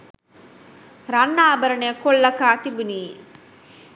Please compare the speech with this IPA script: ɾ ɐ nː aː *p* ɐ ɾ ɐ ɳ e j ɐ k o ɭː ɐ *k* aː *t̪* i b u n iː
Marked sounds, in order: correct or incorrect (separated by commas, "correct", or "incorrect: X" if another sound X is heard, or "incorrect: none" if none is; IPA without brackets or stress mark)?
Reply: incorrect: b, correct, correct